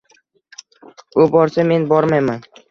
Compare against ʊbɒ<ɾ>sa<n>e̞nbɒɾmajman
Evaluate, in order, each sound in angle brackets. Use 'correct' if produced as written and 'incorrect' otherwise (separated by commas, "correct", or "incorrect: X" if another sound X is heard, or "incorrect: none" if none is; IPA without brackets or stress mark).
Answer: correct, incorrect: m